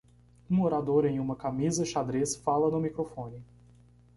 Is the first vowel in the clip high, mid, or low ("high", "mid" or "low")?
high